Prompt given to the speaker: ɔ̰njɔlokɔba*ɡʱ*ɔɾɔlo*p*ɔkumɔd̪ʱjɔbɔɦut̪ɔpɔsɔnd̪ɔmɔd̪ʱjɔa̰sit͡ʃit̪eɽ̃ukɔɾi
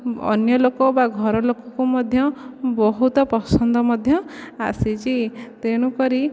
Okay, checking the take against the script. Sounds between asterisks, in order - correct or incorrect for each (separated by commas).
correct, incorrect